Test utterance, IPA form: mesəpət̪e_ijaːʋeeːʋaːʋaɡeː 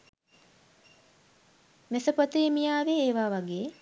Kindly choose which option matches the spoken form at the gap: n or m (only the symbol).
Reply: m